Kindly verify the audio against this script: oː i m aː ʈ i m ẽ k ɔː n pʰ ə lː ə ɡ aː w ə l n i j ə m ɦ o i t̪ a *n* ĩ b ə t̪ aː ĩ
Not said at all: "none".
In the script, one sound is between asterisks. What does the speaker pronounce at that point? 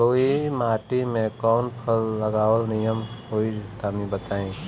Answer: m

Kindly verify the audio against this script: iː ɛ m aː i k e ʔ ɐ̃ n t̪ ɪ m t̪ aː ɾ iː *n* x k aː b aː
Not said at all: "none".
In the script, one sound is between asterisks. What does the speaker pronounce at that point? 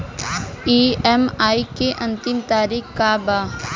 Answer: none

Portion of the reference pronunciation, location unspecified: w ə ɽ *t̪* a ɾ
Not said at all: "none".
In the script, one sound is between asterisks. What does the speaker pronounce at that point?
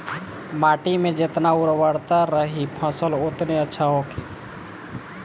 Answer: t̪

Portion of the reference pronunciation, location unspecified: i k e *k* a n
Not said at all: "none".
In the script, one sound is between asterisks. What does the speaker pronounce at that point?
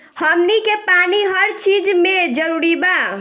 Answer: p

